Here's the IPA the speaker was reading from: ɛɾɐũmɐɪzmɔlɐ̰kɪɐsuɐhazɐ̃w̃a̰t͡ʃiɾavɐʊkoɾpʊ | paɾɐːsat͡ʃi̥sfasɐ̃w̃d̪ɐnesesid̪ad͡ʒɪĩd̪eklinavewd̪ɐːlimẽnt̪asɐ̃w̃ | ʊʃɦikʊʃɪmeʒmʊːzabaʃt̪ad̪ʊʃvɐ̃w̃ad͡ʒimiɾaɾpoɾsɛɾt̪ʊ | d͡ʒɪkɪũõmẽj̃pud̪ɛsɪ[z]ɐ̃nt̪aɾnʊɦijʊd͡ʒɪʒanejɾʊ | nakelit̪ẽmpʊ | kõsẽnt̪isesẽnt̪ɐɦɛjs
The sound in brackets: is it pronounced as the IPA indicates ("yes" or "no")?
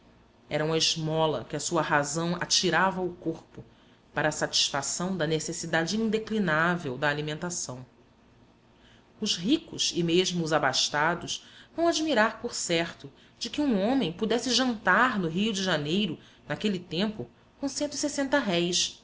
no